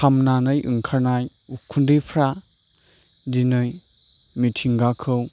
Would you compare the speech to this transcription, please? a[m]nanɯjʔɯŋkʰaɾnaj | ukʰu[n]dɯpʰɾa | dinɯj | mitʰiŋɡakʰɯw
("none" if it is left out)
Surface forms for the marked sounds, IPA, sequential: m, n

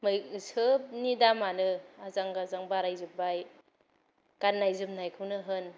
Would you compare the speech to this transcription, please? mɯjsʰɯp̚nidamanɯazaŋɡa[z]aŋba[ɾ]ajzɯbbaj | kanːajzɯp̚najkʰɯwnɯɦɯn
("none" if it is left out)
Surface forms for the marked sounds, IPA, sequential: z, ɾ

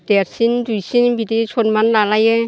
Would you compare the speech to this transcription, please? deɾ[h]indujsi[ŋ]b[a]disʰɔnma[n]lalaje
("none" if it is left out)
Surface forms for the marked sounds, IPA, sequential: s, n, i, n

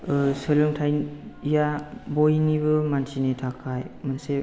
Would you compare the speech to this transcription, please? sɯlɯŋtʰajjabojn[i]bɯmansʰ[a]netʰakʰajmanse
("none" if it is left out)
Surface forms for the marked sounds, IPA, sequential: i, i

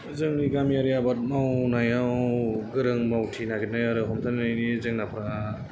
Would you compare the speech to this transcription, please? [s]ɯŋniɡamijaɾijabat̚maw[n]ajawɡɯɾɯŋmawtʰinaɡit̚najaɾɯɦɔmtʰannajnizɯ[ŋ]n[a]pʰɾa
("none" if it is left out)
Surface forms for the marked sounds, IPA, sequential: z, n, ŋ, a

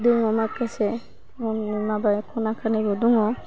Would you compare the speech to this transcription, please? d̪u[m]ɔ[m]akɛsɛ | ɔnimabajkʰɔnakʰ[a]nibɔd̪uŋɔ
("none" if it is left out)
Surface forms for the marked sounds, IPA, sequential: ŋ, m, a

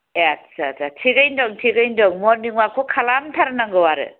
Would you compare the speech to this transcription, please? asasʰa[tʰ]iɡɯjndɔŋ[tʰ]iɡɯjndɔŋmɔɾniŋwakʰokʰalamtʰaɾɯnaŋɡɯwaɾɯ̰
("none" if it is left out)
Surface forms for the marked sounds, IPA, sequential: tʰ, tʰ

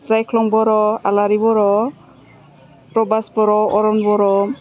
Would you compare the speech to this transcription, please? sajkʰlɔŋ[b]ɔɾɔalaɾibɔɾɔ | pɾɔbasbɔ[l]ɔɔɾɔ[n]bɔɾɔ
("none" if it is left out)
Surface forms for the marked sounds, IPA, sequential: b, ɾ, n

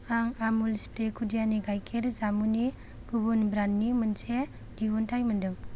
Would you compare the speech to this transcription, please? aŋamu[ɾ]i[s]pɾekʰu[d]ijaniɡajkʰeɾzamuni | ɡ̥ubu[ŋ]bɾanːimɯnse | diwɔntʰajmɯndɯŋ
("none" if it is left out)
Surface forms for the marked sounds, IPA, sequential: l, s, d, n

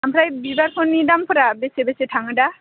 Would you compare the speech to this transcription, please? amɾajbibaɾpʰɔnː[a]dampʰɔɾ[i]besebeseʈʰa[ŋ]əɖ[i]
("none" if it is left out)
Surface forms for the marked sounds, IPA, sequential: i, a, ŋ, a

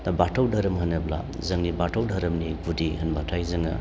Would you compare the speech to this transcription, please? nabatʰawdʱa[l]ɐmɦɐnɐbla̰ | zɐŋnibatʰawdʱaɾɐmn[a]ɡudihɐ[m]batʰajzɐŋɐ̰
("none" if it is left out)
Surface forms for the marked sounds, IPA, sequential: ɾ, i, n

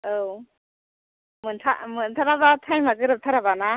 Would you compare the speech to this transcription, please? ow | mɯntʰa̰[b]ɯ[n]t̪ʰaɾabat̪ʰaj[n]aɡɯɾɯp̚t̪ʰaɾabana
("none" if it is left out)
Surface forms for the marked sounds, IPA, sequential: m, n, m

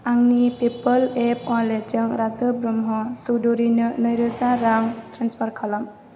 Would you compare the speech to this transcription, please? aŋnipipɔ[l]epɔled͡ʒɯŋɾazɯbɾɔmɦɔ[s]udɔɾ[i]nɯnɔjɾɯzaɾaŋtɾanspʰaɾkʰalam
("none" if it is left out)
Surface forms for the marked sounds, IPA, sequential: l, s, i

